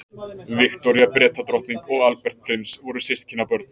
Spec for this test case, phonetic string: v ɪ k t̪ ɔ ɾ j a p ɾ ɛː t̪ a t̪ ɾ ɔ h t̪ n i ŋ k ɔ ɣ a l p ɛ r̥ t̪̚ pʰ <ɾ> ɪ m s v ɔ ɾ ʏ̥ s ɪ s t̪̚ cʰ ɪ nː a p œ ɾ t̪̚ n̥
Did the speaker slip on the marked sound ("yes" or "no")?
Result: no